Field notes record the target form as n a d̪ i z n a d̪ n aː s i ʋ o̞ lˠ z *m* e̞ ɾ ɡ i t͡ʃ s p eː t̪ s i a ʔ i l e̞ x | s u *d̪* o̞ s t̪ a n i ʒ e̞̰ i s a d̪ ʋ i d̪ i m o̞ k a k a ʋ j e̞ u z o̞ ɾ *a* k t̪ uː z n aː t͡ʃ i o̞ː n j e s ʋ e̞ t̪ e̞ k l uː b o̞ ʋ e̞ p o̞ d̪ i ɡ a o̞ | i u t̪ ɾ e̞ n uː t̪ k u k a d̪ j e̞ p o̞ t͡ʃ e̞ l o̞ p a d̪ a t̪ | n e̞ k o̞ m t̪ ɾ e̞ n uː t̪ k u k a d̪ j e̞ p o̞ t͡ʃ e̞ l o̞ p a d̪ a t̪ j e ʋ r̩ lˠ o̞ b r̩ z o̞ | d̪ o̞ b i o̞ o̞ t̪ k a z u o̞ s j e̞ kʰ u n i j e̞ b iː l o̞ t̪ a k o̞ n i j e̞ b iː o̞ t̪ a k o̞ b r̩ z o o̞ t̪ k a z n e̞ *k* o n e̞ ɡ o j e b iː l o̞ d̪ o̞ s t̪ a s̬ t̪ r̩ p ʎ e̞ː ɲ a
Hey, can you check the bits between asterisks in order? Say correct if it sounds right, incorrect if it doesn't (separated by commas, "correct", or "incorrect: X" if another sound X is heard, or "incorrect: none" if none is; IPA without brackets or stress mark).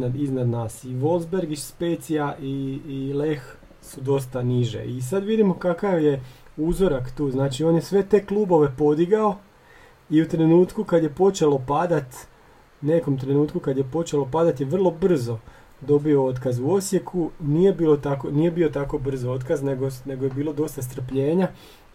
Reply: incorrect: b, correct, correct, incorrect: ɡ